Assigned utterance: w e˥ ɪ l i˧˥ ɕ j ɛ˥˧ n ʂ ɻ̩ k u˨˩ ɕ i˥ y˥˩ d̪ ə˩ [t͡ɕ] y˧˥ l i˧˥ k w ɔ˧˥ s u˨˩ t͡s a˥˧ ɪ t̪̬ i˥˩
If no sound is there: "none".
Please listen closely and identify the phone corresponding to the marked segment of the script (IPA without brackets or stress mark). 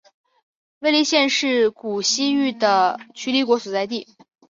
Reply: t͡ɕʰ